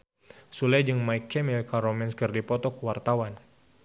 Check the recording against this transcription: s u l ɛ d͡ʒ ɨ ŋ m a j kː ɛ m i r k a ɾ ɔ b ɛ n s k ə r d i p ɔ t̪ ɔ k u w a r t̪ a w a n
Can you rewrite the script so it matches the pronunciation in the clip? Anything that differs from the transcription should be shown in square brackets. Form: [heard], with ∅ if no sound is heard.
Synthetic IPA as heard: s u l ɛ d͡ʒ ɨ ŋ m a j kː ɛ m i [l] k a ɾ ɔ [m] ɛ n s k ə r d i p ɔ t̪ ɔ k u w a r t̪ a w a n